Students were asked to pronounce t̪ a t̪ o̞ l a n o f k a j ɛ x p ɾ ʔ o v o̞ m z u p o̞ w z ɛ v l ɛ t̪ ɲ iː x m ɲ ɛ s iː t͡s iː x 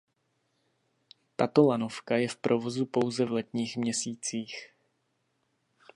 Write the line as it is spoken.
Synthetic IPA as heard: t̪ a t̪ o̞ l a n o f k a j ɛ f p ɾ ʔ o v o̞ z u p o̞ w z ɛ v l ɛ t̪ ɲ iː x m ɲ ɛ s iː t͡s iː x